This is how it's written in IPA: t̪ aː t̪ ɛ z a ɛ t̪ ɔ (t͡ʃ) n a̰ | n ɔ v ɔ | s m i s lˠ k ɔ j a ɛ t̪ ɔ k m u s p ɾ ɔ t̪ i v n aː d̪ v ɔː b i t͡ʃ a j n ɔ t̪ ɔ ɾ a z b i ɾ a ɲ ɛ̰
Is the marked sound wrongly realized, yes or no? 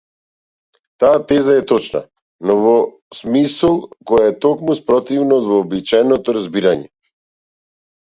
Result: no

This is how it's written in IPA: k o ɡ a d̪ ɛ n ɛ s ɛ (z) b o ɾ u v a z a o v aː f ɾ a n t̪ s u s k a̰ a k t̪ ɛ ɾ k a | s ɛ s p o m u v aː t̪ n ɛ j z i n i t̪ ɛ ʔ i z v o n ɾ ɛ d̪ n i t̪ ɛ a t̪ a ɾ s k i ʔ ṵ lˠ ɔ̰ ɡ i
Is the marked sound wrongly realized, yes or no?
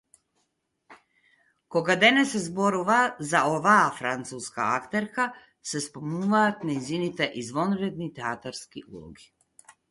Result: no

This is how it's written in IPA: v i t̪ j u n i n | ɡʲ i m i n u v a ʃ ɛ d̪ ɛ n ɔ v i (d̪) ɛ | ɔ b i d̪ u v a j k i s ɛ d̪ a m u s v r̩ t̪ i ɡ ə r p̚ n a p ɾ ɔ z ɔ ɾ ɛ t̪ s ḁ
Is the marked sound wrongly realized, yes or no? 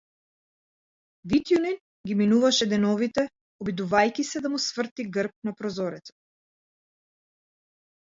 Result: yes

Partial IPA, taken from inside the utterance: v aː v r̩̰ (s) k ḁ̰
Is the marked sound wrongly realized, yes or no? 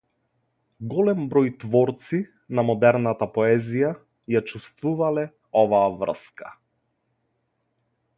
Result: no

